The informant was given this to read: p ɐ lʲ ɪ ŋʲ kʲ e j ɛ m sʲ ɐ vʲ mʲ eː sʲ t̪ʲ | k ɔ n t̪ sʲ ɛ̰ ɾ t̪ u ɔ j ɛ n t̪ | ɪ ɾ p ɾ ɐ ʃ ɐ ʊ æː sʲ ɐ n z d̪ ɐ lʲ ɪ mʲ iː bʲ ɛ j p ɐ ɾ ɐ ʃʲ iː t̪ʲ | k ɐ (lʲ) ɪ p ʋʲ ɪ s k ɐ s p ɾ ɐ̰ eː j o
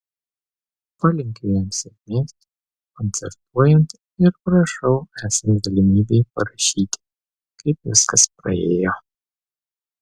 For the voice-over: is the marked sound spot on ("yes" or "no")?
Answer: no